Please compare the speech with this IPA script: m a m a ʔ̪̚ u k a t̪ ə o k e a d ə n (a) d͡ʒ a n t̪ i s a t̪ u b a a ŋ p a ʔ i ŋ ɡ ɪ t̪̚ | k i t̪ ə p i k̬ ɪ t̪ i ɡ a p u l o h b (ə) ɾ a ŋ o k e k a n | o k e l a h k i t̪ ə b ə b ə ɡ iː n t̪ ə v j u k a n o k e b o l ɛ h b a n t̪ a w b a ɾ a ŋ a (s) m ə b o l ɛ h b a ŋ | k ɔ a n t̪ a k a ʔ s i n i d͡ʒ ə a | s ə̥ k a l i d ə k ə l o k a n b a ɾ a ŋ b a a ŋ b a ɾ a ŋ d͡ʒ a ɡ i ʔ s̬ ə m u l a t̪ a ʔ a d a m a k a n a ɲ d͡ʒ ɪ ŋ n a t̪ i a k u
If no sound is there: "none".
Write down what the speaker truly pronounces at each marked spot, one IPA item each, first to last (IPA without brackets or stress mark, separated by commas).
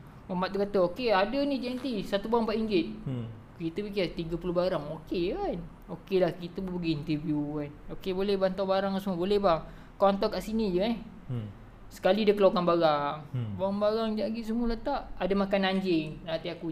i, a, s